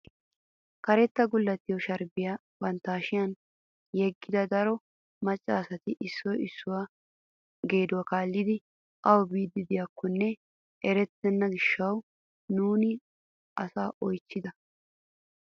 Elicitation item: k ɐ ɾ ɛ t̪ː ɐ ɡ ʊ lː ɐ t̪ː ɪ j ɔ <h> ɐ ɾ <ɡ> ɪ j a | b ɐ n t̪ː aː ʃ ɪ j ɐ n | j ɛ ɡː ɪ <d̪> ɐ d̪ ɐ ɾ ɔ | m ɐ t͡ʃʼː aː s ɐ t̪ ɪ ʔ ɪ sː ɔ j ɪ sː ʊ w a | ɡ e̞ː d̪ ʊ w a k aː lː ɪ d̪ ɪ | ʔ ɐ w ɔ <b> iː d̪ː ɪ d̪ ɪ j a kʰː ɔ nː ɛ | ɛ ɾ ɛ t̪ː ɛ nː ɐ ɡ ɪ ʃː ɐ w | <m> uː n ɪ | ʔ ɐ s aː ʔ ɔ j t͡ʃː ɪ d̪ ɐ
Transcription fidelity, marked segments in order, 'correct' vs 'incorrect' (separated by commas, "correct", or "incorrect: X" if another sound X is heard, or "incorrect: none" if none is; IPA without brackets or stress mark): incorrect: ʃ, incorrect: b, correct, correct, incorrect: n